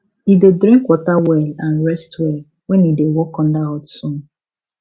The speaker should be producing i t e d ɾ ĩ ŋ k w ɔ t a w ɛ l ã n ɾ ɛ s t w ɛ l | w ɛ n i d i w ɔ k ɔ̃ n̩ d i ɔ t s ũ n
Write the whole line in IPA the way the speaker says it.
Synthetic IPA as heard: i d e d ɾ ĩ ŋ k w ɔ t a w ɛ l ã n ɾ ɛ s t w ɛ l | w ɛ n i d e w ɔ k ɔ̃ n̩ d a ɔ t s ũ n